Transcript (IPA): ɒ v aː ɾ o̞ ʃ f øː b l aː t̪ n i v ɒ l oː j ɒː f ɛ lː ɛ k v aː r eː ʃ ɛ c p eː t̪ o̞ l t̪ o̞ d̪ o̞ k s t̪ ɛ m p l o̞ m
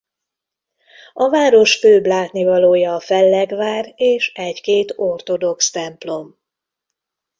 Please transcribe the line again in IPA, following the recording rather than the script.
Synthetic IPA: ɒ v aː ɾ o̞ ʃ f øː b l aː t̪ n i v ɒ l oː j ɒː f ɛ lː ɛ ɡ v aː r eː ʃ ɛ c k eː t̪ o̞ r t̪ o̞ d̪ o̞ k s t̪ ɛ m p l o̞ m